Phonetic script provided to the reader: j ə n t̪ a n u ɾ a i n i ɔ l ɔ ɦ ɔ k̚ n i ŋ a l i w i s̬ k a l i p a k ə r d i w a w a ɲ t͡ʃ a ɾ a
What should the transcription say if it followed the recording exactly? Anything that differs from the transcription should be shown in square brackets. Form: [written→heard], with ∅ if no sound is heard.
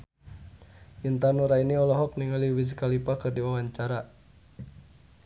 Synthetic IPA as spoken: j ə n t̪ a n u ɾ a i n i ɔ l ɔ ɦ ɔ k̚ n i ŋ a l i w i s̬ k a l i p a k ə r d i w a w a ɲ t͡ʃ a ɾ a